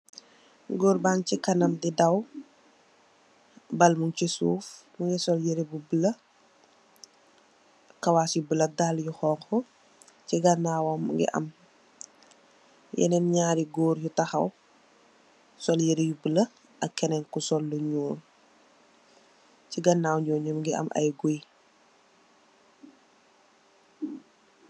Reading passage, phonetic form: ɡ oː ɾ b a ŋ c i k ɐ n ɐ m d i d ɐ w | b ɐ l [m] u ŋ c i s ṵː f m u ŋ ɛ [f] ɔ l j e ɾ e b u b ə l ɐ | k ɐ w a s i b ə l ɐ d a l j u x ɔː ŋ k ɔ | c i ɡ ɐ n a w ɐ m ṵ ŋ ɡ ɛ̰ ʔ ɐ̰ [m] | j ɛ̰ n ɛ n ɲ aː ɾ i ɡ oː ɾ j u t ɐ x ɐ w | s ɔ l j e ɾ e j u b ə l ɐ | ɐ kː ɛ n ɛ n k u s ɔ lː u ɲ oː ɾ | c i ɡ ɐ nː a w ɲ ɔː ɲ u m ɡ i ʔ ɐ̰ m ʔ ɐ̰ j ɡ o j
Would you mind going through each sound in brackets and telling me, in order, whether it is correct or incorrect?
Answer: correct, incorrect: s, correct

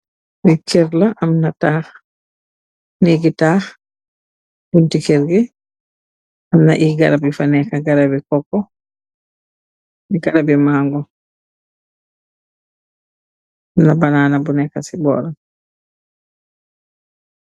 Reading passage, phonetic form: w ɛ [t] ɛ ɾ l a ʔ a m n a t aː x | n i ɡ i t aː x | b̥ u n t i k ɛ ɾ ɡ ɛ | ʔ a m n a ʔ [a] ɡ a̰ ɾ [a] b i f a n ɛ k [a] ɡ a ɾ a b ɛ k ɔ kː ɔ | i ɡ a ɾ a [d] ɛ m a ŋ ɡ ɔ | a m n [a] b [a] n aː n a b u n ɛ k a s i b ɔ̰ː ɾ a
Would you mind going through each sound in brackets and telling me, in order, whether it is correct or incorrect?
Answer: incorrect: k, incorrect: i, correct, correct, incorrect: b, correct, correct

